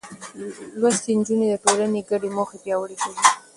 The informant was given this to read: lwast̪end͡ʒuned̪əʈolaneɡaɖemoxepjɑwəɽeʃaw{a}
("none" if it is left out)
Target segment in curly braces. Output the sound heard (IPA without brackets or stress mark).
i